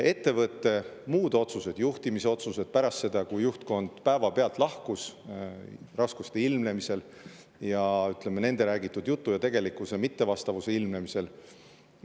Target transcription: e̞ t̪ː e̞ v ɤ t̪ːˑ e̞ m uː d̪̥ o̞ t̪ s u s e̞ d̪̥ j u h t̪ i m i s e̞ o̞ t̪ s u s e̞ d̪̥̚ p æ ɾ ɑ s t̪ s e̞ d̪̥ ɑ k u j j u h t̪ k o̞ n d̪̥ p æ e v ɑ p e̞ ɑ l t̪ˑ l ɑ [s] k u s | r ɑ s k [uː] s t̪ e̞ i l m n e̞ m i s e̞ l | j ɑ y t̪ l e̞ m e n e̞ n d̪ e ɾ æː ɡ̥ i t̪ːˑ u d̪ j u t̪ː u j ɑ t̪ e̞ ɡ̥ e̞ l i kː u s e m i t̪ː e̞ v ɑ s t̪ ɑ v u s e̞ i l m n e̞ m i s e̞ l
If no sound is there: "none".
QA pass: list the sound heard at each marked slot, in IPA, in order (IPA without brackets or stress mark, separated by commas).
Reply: h, u